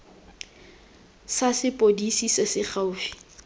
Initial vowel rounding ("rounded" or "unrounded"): unrounded